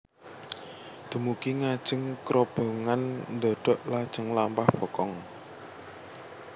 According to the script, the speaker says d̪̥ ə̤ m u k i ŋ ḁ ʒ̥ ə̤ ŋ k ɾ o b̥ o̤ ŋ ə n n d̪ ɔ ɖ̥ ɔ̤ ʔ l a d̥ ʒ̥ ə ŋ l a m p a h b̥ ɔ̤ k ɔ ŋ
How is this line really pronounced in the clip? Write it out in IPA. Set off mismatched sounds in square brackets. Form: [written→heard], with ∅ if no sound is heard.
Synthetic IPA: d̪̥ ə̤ m u k i ŋ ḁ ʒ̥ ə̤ ŋ k ɾ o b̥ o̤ ŋ [ə→a] n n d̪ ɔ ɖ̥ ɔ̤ ʔ l a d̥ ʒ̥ ə ŋ l a m p a h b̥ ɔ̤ k ɔ ŋ